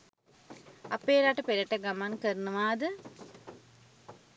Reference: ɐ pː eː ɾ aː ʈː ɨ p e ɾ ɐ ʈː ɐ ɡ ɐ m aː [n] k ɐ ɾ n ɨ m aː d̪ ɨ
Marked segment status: correct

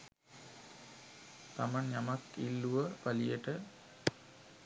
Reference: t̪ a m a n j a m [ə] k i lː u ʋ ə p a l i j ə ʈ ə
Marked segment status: incorrect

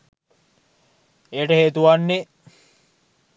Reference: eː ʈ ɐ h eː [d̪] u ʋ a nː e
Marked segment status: incorrect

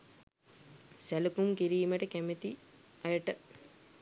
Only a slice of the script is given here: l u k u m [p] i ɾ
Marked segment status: incorrect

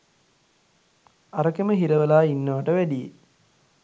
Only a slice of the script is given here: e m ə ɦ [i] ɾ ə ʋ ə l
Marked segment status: correct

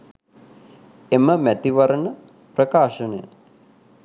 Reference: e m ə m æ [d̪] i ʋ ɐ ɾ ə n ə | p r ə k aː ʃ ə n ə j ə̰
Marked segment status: incorrect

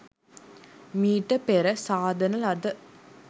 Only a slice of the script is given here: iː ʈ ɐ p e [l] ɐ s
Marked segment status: incorrect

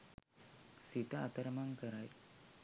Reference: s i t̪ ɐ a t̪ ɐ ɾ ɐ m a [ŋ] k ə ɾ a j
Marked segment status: correct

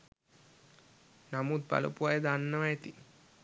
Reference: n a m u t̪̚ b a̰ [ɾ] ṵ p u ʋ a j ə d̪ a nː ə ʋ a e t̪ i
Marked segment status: incorrect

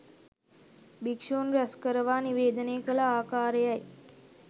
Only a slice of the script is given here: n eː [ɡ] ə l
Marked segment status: incorrect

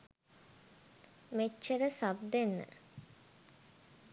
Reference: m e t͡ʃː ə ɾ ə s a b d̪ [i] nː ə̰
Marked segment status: incorrect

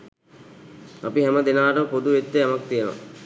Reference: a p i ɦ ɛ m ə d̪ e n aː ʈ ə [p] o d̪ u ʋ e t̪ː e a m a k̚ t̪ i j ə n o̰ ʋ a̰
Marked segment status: correct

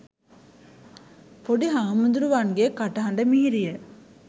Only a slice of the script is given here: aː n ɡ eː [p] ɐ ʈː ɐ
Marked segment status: incorrect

